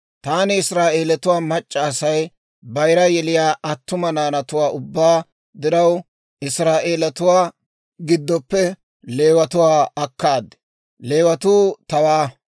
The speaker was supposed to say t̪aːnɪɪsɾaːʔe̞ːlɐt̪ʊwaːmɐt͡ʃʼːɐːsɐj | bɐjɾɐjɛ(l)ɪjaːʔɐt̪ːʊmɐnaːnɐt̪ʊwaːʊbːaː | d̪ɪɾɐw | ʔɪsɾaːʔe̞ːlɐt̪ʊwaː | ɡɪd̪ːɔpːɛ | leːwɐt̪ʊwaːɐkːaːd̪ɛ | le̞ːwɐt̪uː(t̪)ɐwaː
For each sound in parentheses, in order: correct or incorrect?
correct, correct

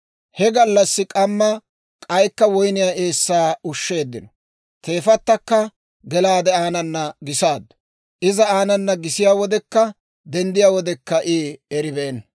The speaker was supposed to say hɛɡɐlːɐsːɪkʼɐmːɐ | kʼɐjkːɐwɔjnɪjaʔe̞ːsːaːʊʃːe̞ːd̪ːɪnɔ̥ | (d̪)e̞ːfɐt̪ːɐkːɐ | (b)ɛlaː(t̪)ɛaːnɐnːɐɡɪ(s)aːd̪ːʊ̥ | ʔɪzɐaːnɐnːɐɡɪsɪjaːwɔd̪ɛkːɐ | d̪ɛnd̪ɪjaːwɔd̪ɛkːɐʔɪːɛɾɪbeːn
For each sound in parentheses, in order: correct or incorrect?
incorrect: t̪, incorrect: ɡ, incorrect: d̪, correct

